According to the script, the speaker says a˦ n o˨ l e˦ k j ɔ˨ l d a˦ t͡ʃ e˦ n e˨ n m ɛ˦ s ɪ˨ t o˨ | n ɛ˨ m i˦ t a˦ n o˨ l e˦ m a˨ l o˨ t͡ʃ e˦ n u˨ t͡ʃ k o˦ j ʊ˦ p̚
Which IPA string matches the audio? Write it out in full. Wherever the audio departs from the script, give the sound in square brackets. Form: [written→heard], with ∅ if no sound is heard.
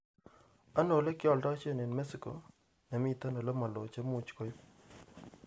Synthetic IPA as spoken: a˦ n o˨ l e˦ k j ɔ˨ l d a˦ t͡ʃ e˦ n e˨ n m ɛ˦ s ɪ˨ [t→k] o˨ | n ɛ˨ m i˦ t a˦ n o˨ l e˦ m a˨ l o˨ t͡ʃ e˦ [n→m] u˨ t͡ʃ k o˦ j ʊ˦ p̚

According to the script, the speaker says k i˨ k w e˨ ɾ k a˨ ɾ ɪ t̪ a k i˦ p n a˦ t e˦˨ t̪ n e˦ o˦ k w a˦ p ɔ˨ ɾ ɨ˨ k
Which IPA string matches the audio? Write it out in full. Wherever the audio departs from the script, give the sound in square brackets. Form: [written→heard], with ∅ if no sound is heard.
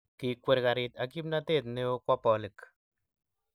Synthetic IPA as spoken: k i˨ k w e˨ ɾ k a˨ ɾ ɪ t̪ a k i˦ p n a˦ t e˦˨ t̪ n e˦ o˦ k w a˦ p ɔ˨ [ɾ→l] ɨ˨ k

